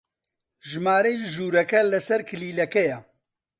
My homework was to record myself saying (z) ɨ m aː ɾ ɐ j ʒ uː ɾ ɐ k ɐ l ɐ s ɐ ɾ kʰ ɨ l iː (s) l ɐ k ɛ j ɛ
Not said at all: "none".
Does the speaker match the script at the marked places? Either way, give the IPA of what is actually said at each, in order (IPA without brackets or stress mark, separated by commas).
ʒ, none